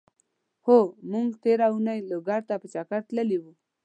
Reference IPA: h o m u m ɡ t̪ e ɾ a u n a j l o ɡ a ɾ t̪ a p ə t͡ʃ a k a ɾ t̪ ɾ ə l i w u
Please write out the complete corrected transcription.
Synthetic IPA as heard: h o m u ŋ ɡ t̪ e ɾ a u n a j l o ɡ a ɾ t̪ a p ə t͡ʃ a k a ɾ t̪ l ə l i w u